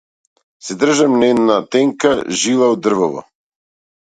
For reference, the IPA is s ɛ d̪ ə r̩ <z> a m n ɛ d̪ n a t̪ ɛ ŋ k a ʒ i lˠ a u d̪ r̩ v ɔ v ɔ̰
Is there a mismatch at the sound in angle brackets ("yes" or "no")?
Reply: yes